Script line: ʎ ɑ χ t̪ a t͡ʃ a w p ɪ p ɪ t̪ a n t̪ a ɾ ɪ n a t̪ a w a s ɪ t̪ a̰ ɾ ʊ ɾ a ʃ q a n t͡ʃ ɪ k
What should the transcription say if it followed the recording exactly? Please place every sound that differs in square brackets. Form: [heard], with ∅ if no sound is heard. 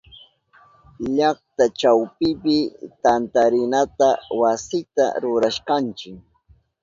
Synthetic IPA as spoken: ʎ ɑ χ t̪ a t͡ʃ a w p ɪ p ɪ t̪ a n t̪ a ɾ ɪ n a t̪ a w a s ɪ t̪ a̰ ɾ ʊ ɾ a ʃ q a n t͡ʃ ɪ k